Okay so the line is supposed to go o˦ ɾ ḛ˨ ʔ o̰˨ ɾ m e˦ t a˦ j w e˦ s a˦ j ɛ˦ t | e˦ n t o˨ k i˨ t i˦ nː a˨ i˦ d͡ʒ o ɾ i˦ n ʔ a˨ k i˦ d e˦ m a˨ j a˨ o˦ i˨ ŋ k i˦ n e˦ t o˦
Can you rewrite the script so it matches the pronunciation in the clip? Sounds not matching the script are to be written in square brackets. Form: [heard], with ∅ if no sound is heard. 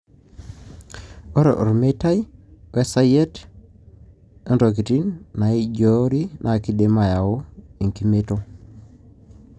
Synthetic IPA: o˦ ɾ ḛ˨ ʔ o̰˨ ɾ m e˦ t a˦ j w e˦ s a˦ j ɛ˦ t | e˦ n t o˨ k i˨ t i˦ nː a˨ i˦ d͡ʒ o ɾ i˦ n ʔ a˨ k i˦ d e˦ m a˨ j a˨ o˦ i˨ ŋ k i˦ [m] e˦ t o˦

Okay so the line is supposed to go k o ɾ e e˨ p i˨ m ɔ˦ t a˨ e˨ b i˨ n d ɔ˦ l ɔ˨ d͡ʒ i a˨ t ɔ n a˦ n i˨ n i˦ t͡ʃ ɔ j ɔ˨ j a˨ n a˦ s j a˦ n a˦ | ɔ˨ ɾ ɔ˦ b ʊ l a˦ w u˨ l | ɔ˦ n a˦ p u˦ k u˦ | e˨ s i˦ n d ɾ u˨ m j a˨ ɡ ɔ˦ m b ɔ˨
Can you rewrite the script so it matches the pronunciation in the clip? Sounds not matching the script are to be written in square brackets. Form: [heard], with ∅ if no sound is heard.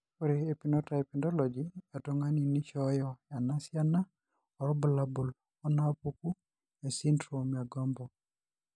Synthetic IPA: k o ɾ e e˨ p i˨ [n] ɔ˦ t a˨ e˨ [p] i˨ n d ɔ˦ l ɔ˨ d͡ʒ i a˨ t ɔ [ŋ] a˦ n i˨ n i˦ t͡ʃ ɔ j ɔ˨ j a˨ n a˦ s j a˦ n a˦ | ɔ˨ ɾ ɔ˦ b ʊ l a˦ [b] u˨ l | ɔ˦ n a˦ p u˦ k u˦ | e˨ s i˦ n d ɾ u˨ m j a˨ ɡ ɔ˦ m b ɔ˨

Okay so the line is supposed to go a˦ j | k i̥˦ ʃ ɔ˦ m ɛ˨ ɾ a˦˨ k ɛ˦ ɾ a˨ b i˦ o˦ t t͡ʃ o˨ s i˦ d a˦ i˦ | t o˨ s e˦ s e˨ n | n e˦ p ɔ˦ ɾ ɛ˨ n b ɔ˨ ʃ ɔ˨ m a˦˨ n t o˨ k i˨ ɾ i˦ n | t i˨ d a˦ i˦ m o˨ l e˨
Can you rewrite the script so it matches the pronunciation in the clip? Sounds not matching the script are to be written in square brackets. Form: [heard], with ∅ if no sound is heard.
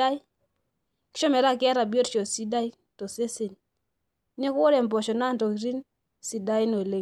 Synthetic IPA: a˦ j | k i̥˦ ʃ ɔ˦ m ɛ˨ ɾ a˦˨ k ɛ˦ ɾ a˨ b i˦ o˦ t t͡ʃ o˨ s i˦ d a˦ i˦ | t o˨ s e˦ s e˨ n | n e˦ [k] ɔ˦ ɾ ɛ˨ [m] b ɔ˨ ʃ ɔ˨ [n] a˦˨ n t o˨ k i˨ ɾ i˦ n | [s] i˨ d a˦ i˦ [n] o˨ l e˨

